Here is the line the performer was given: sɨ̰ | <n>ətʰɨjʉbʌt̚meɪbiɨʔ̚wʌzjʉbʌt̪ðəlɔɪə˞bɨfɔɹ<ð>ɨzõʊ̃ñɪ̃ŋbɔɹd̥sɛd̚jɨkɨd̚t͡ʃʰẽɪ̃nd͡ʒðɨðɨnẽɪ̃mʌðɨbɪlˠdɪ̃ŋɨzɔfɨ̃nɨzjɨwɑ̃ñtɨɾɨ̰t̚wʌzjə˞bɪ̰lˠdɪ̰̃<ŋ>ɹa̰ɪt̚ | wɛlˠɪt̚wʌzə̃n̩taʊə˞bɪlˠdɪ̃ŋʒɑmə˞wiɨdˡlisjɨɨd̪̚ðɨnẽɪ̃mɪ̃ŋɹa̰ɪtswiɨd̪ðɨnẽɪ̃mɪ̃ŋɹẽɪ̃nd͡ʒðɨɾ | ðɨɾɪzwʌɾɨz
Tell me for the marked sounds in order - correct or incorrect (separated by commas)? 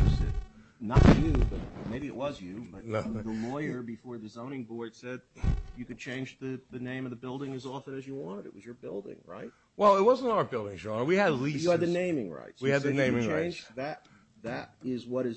correct, correct, correct